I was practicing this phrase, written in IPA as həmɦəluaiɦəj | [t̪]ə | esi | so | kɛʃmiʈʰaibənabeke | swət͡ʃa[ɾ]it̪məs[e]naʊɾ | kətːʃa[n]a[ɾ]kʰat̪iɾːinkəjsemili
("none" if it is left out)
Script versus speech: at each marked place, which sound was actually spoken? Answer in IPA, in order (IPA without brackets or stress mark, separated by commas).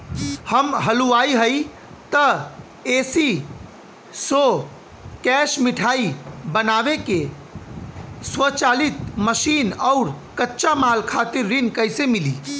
t̪, l, i, m, l